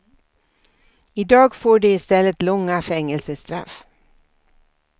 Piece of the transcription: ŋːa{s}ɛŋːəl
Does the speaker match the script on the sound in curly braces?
no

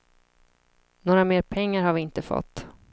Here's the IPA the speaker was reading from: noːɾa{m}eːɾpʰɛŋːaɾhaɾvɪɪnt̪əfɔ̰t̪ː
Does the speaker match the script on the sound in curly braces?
yes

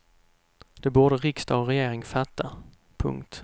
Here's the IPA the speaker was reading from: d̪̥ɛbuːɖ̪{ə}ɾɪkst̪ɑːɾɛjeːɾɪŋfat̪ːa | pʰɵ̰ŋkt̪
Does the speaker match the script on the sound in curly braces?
yes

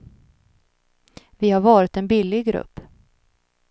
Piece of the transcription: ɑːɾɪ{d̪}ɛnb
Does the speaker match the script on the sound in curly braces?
no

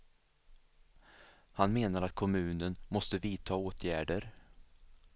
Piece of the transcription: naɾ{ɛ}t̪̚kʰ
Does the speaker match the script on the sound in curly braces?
no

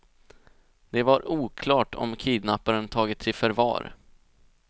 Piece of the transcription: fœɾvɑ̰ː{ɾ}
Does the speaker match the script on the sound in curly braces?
yes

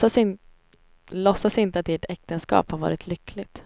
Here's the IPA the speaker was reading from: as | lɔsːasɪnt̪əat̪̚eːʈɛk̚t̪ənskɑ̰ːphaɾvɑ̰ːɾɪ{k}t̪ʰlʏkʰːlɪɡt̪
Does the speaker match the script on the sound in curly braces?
no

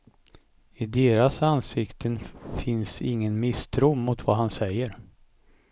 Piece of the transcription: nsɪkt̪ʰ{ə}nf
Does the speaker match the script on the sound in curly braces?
yes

